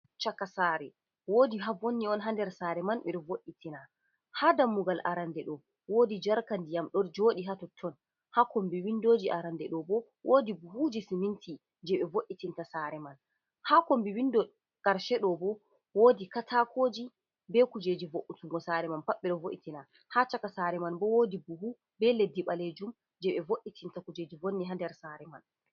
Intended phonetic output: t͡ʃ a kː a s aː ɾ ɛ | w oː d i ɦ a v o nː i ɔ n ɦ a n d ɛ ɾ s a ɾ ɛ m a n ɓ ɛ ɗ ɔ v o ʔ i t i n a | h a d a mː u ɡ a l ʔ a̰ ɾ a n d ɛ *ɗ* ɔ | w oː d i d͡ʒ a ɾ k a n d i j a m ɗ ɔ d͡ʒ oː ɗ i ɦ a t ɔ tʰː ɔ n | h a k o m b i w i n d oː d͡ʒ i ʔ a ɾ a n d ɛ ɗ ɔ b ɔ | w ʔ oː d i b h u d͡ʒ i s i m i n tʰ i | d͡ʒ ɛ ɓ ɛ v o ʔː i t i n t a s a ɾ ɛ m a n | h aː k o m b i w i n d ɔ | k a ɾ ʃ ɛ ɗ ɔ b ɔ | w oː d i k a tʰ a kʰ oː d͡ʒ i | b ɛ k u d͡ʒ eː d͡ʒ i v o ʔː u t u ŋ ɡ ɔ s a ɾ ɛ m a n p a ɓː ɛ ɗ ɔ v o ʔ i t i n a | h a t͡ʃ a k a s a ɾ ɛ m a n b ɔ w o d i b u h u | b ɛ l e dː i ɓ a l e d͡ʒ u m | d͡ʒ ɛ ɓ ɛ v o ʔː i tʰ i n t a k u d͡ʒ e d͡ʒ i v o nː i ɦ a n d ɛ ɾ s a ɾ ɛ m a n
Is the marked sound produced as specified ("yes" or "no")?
yes